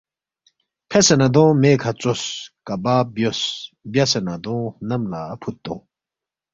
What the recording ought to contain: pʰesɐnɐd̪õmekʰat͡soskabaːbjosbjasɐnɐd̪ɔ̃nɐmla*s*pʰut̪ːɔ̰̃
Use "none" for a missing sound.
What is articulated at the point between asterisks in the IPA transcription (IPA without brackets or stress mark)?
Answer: none